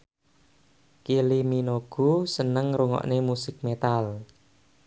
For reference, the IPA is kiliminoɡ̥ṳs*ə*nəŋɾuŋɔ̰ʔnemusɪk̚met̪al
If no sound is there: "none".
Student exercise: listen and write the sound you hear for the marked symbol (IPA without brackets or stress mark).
ə